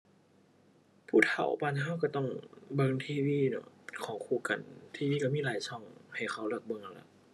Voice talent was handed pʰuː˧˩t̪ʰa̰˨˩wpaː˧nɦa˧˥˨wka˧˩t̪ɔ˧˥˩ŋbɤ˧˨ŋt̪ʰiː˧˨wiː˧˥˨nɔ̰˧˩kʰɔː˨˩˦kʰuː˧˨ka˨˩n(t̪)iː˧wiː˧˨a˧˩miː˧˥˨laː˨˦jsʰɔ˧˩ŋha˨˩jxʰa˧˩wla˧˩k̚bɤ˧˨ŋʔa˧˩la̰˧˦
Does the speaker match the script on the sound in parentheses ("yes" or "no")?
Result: no